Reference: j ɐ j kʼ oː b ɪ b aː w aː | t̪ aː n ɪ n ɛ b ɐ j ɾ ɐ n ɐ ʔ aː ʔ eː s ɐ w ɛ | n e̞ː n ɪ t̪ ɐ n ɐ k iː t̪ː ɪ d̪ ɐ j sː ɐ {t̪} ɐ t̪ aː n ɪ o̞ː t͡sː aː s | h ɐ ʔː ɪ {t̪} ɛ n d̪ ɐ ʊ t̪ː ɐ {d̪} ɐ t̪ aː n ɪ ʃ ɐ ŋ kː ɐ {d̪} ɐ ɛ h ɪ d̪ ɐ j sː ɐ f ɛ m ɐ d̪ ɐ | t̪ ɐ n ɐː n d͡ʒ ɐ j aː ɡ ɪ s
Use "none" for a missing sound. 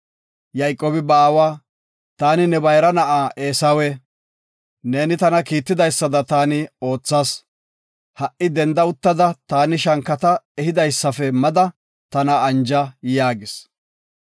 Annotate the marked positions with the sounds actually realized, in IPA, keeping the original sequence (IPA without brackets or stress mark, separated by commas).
d̪, d̪, d̪, t̪